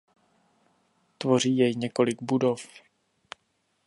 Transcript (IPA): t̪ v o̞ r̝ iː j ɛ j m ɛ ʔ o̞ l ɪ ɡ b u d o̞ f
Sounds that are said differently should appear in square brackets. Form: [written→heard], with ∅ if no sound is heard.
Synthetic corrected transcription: t̪ v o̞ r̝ iː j ɛ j [m→ɲ] ɛ [ʔ→k] o̞ l ɪ ɡ b u d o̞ f